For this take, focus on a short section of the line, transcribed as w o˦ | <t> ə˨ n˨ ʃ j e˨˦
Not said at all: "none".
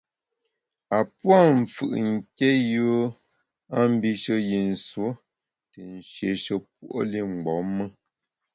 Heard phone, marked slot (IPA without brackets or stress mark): t